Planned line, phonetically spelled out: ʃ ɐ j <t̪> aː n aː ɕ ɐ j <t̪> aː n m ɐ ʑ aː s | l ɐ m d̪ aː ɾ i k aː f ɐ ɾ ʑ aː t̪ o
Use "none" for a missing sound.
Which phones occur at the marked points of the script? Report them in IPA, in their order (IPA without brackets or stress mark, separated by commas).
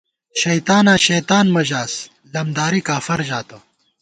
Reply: t̪, t̪